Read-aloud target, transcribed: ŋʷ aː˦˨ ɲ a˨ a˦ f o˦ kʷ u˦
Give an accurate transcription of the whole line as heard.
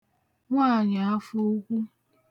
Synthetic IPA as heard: ŋʷ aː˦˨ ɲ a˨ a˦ f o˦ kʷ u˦